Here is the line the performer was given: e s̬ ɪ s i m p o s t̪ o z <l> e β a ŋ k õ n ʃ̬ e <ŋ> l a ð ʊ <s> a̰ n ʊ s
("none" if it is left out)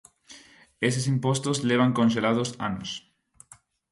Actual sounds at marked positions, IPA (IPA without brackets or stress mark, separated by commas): l, none, s